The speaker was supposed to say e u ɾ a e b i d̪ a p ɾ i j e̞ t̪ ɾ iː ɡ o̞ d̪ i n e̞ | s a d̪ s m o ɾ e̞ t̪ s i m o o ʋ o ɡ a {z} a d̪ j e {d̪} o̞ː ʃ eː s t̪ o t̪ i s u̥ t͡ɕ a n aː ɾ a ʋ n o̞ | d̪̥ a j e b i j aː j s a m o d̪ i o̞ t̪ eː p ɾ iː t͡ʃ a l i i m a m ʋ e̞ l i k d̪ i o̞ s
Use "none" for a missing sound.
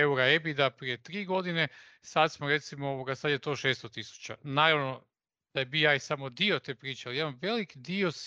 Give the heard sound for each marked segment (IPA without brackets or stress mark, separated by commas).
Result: s, t̪